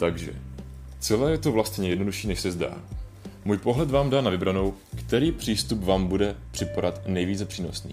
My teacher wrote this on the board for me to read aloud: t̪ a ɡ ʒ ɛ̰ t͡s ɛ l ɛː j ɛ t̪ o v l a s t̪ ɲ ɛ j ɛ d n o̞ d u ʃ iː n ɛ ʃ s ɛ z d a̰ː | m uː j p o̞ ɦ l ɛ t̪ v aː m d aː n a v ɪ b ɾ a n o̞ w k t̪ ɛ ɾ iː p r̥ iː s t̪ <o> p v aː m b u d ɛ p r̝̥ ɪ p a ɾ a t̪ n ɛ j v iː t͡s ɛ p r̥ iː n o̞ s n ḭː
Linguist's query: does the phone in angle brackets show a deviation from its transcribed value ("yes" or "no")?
yes